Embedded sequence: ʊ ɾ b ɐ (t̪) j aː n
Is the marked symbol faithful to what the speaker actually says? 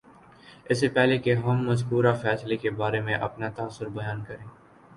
no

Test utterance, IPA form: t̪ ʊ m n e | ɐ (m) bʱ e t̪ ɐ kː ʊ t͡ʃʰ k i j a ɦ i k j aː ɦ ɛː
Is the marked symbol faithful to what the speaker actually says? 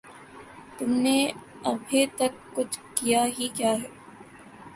no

